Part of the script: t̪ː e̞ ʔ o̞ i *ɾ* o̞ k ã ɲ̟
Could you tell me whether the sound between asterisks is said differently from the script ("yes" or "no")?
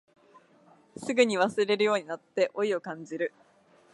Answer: yes